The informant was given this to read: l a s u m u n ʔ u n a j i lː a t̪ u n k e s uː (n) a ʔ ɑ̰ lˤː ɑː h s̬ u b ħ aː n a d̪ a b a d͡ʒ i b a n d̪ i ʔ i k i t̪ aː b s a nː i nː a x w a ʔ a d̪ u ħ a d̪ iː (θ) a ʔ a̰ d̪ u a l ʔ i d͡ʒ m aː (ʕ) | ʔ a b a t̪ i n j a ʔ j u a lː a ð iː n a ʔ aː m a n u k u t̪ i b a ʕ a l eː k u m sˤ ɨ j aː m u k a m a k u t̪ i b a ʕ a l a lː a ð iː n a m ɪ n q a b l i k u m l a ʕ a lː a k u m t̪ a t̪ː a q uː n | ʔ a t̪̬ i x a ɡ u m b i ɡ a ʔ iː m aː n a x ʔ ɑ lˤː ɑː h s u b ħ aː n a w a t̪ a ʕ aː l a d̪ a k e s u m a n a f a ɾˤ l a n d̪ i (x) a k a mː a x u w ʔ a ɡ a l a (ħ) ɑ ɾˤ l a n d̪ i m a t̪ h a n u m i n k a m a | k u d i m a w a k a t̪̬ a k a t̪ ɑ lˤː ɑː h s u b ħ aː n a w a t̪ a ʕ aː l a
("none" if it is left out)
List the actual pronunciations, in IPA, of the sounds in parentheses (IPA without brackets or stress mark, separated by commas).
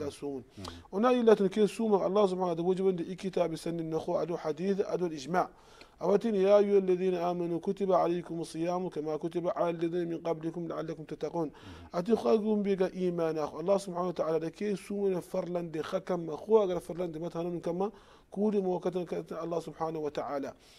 m, θ, ʕ, x, f